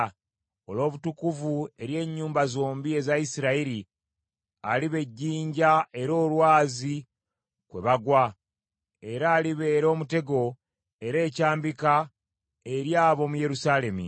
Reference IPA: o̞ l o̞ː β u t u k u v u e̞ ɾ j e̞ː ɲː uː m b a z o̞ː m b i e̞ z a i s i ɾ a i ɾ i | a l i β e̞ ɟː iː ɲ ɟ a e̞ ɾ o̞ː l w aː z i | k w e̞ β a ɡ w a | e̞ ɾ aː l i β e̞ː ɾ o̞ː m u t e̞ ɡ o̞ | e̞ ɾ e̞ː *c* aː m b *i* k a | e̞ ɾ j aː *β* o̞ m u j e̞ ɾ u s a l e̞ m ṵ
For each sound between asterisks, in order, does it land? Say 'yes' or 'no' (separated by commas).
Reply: yes, yes, yes